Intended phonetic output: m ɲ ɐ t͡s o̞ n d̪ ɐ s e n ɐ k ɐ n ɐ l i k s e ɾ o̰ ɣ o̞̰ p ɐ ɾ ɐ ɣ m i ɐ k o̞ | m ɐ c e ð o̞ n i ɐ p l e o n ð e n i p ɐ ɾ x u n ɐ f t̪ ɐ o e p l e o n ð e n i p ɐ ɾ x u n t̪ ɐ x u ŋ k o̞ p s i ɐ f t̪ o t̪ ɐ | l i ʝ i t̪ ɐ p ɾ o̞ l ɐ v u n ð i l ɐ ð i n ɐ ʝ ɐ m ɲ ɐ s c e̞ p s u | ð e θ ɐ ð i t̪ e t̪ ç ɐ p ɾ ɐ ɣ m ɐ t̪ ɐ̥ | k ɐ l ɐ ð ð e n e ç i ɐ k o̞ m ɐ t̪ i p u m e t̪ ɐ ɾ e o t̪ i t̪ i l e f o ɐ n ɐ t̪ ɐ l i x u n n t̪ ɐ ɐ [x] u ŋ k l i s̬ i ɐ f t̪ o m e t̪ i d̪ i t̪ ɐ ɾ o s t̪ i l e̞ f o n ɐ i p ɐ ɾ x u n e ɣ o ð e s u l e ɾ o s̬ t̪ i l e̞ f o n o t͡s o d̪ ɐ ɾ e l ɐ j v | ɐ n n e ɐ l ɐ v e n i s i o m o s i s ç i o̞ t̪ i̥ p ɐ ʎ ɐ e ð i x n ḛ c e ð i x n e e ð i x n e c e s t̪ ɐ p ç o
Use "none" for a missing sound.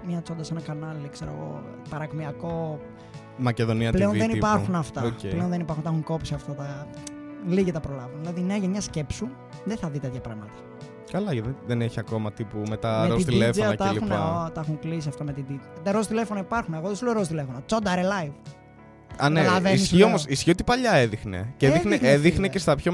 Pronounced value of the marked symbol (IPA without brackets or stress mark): x